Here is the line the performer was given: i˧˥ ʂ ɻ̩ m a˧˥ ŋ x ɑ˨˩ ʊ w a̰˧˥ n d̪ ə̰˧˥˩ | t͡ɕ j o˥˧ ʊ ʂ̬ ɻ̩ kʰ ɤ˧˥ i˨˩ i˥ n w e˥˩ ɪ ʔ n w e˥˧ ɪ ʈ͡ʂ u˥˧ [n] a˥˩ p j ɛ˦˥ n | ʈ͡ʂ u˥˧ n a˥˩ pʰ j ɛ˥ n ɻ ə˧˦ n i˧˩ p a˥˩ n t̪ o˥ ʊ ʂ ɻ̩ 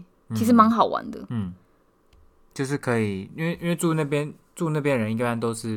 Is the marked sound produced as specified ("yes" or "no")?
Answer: yes